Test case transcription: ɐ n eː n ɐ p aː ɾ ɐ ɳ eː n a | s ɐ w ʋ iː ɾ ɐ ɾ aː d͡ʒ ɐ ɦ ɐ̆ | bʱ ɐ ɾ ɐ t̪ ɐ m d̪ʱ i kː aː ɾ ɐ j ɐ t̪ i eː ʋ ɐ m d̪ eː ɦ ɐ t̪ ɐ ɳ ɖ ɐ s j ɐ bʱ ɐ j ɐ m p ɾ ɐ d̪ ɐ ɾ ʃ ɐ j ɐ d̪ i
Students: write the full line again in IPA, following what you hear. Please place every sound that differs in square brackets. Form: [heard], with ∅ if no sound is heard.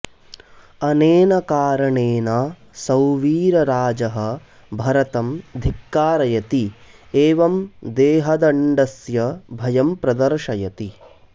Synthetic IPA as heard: ɐ n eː n ɐ [k] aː ɾ ɐ ɳ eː n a | s ɐ w ʋ iː ɾ ɐ ɾ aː d͡ʒ ɐ ɦ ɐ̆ | bʱ ɐ ɾ ɐ t̪ ɐ m d̪ʱ i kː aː ɾ ɐ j ɐ t̪ i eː ʋ ɐ m d̪ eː ɦ ɐ [d̪] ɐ ɳ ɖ ɐ s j ɐ bʱ ɐ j ɐ m p ɾ ɐ d̪ ɐ ɾ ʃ ɐ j ɐ [t̪] i